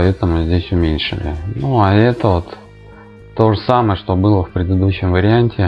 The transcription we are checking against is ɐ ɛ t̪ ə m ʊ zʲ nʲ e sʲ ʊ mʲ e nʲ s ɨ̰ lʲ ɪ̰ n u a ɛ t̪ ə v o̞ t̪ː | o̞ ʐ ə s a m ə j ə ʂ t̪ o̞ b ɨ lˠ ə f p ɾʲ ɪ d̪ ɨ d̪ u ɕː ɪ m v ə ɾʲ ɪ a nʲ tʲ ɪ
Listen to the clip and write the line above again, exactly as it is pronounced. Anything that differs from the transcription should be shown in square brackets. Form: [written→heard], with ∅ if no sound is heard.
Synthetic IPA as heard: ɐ ɛ t̪ ə m ʊ zʲ [nʲ→dʲ] e sʲ ʊ mʲ e nʲ [s→ʂ] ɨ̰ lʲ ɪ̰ n u a ɛ t̪ ə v o̞ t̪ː | o̞ ʐ ə s a m ə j ə ʂ t̪ o̞ b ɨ lˠ ə f p ɾʲ ɪ d̪ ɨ d̪ u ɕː ɪ m v ə ɾʲ ɪ a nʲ tʲ ɪ

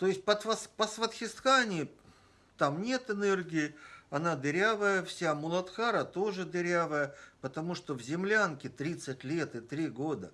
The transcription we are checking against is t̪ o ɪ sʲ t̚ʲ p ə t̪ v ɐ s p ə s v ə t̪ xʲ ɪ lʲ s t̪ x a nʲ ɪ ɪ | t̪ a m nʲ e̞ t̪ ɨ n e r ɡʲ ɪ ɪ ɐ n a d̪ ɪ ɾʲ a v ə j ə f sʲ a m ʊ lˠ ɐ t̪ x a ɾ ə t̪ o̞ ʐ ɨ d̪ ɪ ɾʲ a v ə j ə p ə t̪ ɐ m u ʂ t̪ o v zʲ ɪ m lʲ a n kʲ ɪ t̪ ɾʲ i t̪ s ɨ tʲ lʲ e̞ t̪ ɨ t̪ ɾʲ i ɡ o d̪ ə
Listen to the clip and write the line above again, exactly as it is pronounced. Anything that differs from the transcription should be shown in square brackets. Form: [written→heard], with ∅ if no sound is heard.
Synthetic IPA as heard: t̪ o ɪ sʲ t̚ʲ p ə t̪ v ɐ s p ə s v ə t̪ xʲ ɪ [lʲ→∅] s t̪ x a nʲ ɪ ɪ | t̪ a m nʲ e̞ t̪ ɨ n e r ɡʲ ɪ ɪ ɐ n a d̪ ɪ ɾʲ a v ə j ə f sʲ a m ʊ lˠ ɐ t̪ x a ɾ ə t̪ o̞ ʐ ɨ d̪ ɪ ɾʲ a v ə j ə p ə t̪ ɐ m u ʂ t̪ o v zʲ ɪ m lʲ a n kʲ ɪ t̪ ɾʲ i t̪ s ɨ tʲ lʲ e̞ t̪ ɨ t̪ ɾʲ i ɡ o d̪ ə

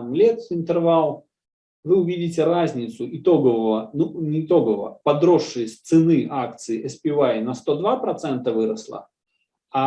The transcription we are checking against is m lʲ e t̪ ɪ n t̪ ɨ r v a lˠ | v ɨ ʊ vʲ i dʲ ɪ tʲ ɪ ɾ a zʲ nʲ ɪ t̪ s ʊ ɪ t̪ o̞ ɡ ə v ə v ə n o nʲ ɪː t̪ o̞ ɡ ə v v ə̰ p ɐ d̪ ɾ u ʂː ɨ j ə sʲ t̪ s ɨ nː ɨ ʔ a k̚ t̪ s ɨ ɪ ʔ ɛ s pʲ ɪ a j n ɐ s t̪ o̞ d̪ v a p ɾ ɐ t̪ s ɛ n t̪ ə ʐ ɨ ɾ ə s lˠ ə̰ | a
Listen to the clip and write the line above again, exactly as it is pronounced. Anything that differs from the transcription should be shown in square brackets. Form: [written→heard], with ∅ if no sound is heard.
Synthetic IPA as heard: m lʲ e t̪ ɪ n t̪ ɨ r v a lˠ | v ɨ ʊ vʲ i dʲ ɪ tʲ ɪ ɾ a zʲ nʲ ɪ t̪ s ʊ ɪ t̪ o̞ ɡ ə v ə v ə n [o→u] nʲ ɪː t̪ o̞ ɡ ə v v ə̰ p ɐ d̪ ɾ [u→o] ʂː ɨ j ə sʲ t̪ s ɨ [nː→n] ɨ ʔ a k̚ t̪ s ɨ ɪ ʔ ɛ s pʲ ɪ a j n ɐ s t̪ o̞ d̪ v a p ɾ ɐ t̪ s ɛ n t̪ ə [ʐ→v] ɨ ɾ ə s lˠ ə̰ | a

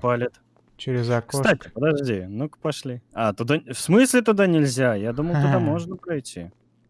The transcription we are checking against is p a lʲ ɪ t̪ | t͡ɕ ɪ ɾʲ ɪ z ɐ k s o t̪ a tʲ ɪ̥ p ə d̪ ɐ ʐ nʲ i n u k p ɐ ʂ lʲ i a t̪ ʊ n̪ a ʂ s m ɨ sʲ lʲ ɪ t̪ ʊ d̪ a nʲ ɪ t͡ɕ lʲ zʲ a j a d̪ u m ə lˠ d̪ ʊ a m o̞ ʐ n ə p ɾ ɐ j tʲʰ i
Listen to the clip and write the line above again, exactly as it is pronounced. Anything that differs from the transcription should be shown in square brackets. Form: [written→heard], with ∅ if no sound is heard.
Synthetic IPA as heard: p a lʲ ɪ t̪ | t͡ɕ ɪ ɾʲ ɪ z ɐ k s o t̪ a tʲ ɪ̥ p ə d̪ ɐ ʐ [nʲ→dʲ] i n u k p ɐ ʂ lʲ i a t̪ ʊ [n̪→d̪] a [ʂ→f] s m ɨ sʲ lʲ ɪ t̪ ʊ d̪ a nʲ ɪ [t͡ɕ→∅] lʲ zʲ a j a d̪ u m ə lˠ [d̪→t̪] ʊ a m o̞ ʐ n ə p ɾ ɐ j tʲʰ i

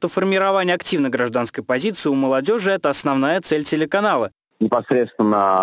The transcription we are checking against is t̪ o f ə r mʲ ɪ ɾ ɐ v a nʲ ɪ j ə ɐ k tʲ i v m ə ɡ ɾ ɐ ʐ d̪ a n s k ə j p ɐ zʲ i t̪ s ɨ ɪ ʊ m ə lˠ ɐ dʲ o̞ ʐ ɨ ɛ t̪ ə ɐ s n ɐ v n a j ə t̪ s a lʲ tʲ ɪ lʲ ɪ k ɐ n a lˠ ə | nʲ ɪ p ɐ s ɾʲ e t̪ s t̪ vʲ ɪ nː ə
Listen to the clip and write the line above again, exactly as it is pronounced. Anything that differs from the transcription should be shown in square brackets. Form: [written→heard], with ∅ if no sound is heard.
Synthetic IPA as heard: t̪ o f ə r mʲ ɪ ɾ ɐ v a nʲ ɪ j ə ɐ k tʲ i v [m→n] ə ɡ ɾ ɐ ʐ d̪ a n s k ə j p ɐ zʲ i t̪ s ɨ ɪ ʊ m ə lˠ ɐ dʲ o̞ ʐ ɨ ɛ t̪ ə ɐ s n ɐ v n a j ə t̪ s [a→ɛ] lʲ tʲ ɪ lʲ ɪ k ɐ n a lˠ ə | nʲ ɪ p ɐ s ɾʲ e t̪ s t̪ vʲ ɪ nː ə

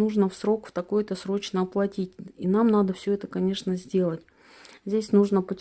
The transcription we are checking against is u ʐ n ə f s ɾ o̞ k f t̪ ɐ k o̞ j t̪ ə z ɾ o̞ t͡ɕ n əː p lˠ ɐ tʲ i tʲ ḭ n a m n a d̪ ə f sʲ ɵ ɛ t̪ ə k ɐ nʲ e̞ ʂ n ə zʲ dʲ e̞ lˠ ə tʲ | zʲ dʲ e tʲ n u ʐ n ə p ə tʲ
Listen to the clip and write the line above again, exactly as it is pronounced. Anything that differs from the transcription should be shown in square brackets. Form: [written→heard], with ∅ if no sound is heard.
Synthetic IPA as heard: u ʐ n ə f s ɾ o̞ k f t̪ ɐ k o̞ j t̪ ə [z→s] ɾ o̞ t͡ɕ n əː p lˠ ɐ tʲ i tʲ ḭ n a m n a d̪ ə f sʲ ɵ ɛ t̪ ə k ɐ nʲ e̞ ʂ n ə zʲ dʲ e̞ lˠ ə tʲ | zʲ dʲ e [tʲ→sʲ] n u ʐ n ə p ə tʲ

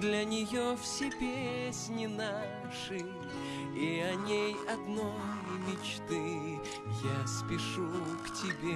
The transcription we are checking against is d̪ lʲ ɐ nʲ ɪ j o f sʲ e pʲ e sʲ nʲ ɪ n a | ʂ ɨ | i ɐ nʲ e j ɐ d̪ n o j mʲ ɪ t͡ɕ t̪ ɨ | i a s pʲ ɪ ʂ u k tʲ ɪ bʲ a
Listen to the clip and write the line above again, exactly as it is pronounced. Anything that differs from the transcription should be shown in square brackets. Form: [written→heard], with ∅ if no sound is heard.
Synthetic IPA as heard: d̪ lʲ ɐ nʲ ɪ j o f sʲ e pʲ e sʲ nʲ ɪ n a | ʂ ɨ | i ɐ nʲ e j ɐ d̪ n o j mʲ ɪ t͡ɕ t̪ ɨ | [i→j] a s pʲ ɪ ʂ u k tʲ ɪ bʲ [a→e]

